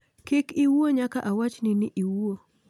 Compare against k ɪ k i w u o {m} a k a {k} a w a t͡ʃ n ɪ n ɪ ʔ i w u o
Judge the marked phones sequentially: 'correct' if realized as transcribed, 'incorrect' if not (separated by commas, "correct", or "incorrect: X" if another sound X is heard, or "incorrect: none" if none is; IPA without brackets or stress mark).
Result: incorrect: ɲ, incorrect: ʔ